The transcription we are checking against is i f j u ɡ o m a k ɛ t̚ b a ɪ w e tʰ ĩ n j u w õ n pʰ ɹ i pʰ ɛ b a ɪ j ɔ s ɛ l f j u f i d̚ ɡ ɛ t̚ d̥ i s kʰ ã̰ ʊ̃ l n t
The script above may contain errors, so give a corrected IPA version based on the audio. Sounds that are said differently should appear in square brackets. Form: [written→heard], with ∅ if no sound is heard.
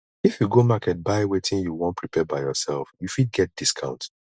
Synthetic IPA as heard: i f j u ɡ o m a k ɛ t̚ b a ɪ w e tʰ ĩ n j u w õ n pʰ ɹ i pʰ ɛ b a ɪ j ɔ s ɛ l f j u f i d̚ ɡ ɛ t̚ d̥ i s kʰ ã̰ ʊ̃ [l→∅] n t